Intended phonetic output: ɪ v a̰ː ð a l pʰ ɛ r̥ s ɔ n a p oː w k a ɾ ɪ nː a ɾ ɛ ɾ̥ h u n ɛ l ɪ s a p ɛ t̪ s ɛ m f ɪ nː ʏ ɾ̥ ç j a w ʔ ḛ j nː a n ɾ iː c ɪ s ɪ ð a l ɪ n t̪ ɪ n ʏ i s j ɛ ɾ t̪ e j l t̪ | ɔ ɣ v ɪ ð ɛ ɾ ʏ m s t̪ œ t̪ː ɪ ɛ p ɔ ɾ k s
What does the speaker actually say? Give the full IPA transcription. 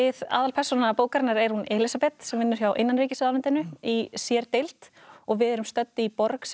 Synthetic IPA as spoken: ɪ ð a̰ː ð a l pʰ ɛ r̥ s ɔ n a p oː w k a ɾ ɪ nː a ɾ ɛ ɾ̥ h u n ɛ l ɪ s a p ɛ t̪ s ɛ m v ɪ nː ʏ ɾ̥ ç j a w ʔ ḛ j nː a n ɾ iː c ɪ s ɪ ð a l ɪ n t̪ ɪ n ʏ i s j ɛ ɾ t̪ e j l t̪ | ɔ ɣ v ɪ ð ɛ ɾ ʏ m s t̪ œ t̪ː ɪ i p ɔ ɾ k s